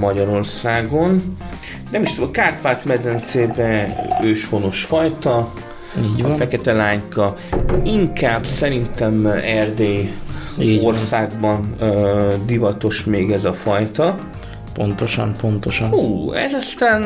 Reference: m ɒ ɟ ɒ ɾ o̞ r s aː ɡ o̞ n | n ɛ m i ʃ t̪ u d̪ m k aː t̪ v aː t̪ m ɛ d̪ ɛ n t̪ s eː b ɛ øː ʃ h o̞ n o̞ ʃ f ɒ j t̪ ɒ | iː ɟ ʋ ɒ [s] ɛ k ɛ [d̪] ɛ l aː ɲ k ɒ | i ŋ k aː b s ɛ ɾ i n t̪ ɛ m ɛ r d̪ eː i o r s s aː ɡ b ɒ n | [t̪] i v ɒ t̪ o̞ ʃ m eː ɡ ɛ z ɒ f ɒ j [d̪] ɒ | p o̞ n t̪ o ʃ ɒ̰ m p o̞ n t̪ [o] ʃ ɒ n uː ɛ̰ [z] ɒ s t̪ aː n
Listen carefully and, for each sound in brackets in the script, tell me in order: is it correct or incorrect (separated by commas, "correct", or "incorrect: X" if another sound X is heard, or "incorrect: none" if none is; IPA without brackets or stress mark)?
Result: incorrect: f, incorrect: t̪, incorrect: d̪, incorrect: t̪, correct, correct